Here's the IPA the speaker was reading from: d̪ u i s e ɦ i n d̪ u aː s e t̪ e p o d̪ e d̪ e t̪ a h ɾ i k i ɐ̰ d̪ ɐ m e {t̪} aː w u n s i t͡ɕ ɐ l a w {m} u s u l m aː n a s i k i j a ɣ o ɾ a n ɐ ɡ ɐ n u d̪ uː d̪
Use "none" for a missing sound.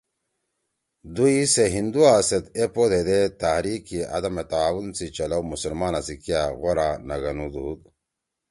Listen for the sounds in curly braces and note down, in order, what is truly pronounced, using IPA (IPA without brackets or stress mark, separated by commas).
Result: t̪, m